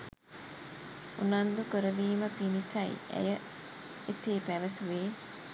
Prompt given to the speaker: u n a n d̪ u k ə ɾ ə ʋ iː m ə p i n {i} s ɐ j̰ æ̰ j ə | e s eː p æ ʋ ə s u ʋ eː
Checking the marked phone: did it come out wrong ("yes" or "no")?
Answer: no